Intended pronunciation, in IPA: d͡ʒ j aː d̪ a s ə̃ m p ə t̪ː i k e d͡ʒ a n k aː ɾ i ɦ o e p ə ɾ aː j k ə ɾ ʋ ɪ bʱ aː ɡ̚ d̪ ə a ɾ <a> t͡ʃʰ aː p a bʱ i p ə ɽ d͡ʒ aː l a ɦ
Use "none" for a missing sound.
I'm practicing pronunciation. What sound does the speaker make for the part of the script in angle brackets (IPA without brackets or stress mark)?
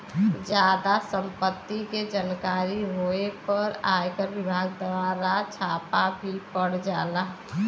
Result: a